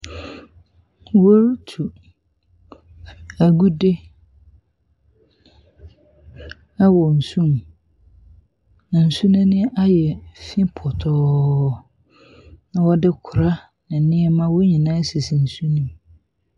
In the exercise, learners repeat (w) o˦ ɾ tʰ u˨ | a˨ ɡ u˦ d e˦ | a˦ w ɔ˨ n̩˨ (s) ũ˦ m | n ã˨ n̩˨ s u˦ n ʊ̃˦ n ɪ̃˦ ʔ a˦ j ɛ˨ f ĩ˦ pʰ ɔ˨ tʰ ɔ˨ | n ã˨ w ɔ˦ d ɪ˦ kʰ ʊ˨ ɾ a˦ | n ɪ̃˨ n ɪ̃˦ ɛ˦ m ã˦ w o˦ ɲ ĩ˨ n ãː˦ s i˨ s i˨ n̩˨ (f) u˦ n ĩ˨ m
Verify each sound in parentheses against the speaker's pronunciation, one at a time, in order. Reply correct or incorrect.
correct, correct, incorrect: s

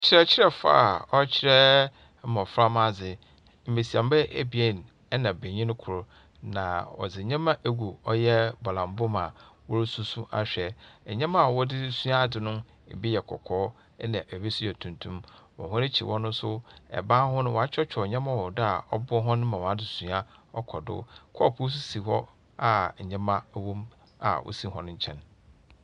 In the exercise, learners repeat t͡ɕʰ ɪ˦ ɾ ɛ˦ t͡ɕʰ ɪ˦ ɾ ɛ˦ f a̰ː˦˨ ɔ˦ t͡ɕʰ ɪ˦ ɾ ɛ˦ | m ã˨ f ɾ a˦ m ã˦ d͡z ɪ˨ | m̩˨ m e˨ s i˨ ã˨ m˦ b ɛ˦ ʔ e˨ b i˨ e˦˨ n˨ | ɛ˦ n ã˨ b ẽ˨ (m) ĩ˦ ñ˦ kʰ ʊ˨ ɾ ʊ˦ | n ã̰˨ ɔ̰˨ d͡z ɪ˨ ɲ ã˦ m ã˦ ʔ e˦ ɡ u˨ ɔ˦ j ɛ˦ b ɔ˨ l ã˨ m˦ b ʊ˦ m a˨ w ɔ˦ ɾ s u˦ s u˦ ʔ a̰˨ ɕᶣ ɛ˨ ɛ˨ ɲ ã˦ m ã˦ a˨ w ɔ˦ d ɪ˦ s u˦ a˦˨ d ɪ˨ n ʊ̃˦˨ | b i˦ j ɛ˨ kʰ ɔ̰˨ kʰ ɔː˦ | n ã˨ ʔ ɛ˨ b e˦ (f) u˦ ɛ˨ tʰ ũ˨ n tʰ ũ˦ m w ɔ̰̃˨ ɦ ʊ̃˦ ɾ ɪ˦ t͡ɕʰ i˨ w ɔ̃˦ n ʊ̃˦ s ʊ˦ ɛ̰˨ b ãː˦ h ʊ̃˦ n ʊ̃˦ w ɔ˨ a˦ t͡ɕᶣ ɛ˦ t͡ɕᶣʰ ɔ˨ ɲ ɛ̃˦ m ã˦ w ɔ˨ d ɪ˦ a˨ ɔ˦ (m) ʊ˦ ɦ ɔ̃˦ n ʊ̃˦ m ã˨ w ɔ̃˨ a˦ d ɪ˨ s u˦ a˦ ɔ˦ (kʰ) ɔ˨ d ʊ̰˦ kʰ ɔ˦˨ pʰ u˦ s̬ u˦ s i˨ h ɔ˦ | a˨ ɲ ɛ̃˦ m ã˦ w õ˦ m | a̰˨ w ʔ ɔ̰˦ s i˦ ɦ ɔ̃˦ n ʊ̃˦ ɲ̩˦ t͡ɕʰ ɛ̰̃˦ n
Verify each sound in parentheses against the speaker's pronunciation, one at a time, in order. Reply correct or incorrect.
incorrect: ɲ, incorrect: s, incorrect: b, correct

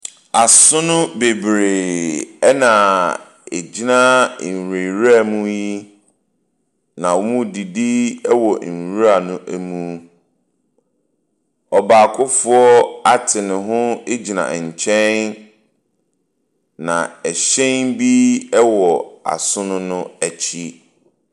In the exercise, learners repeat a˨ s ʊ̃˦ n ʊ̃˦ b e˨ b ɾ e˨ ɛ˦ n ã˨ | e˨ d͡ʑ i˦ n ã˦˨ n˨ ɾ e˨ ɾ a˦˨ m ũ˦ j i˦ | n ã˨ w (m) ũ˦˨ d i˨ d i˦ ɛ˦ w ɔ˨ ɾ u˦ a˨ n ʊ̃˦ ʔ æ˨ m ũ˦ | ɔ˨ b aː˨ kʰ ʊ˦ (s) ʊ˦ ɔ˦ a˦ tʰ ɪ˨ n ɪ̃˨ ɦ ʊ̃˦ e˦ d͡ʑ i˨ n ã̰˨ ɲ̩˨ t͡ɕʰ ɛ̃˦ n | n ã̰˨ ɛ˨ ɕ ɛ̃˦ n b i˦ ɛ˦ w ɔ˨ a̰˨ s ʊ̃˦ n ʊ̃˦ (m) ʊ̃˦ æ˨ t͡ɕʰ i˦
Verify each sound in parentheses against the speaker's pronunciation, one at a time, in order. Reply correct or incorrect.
correct, incorrect: f, incorrect: n

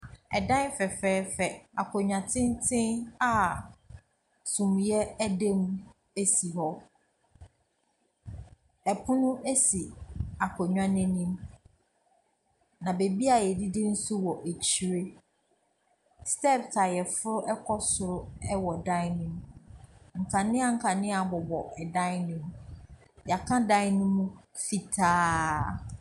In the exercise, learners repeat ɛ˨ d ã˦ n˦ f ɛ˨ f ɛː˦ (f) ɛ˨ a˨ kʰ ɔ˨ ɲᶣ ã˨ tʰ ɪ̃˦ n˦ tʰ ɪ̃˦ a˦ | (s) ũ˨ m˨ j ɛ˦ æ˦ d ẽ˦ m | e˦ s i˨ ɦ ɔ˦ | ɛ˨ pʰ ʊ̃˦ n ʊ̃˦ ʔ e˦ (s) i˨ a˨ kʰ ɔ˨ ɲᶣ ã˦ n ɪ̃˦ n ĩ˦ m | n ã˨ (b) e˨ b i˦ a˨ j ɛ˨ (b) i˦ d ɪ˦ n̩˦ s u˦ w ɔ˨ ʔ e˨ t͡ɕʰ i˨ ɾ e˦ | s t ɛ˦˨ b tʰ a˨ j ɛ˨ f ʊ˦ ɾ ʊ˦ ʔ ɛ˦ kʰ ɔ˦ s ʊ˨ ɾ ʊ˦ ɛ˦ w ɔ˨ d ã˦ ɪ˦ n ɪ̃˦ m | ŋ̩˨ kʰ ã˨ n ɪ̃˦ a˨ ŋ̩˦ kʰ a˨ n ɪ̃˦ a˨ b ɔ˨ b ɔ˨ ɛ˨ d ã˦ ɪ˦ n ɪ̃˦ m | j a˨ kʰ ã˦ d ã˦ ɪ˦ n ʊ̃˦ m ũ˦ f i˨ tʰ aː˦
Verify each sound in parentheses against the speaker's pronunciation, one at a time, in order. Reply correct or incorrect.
correct, correct, correct, correct, incorrect: d

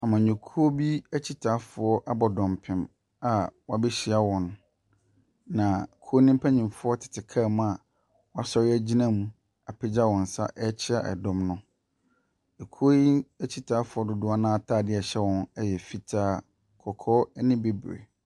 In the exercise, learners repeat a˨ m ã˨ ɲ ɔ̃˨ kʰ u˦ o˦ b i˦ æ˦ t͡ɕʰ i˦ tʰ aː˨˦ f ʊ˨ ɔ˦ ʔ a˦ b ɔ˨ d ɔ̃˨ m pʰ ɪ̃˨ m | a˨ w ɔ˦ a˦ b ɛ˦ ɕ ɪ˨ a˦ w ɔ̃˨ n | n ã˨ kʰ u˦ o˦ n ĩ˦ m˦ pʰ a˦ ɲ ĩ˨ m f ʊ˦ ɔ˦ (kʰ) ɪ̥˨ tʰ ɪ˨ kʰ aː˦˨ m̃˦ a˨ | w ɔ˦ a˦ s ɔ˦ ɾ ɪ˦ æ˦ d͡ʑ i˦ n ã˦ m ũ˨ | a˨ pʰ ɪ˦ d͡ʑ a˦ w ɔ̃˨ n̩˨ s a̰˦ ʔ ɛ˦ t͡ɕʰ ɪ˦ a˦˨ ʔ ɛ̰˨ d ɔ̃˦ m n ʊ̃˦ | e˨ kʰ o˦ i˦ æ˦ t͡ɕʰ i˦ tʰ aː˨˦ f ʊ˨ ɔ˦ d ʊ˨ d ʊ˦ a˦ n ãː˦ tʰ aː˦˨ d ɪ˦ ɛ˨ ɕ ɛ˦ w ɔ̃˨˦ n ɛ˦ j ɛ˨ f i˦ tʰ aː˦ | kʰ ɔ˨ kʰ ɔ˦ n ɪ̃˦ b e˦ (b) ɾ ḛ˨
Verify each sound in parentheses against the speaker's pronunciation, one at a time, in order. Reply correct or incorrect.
incorrect: tʰ, correct

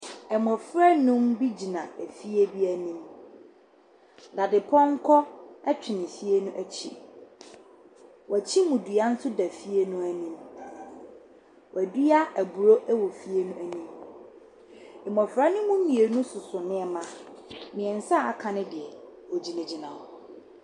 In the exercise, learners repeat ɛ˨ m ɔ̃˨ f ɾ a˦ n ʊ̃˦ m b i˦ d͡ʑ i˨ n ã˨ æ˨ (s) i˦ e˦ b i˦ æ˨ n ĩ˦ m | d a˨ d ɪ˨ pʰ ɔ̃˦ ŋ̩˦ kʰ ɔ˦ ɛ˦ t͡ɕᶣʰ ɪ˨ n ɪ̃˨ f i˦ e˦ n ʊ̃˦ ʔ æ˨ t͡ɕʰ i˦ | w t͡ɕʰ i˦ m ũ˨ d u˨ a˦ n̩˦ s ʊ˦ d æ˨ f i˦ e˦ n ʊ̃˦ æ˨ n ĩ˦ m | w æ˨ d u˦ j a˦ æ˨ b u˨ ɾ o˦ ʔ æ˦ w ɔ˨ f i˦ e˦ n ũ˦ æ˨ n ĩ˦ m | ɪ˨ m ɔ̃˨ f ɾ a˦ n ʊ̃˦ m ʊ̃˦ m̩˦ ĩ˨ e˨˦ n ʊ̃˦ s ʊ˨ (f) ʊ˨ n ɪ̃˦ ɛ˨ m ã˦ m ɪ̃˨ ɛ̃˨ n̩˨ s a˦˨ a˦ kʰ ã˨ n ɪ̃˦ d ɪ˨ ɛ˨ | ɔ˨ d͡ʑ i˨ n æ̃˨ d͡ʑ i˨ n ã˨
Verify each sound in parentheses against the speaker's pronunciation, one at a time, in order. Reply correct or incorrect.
incorrect: f, incorrect: s

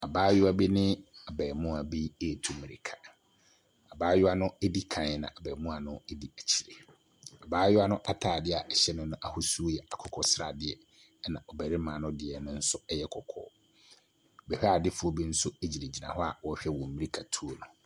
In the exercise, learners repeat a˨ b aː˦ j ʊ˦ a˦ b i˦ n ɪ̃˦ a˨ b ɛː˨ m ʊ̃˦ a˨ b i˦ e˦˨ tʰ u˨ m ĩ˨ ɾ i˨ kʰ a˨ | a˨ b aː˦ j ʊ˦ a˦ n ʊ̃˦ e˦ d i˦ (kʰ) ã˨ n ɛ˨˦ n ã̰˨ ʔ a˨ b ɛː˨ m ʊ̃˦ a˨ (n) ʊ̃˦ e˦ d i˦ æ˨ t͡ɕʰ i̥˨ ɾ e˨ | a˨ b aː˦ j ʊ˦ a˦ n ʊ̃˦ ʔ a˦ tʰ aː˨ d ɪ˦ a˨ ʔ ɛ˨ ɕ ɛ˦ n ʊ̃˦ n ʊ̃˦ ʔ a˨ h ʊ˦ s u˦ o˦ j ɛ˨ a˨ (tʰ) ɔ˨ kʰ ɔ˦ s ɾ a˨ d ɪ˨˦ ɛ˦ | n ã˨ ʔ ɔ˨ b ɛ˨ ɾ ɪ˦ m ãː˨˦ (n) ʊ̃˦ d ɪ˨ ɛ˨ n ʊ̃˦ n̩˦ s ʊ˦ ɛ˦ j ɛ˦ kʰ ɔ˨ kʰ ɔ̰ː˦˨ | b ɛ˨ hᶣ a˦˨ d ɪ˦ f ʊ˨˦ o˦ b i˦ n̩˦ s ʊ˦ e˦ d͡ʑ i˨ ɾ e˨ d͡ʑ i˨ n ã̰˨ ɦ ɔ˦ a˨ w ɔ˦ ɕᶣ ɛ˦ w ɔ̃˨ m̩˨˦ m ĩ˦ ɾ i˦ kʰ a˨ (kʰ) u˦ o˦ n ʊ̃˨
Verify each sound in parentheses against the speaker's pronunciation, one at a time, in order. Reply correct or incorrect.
correct, correct, incorrect: kʰ, correct, incorrect: tʰ

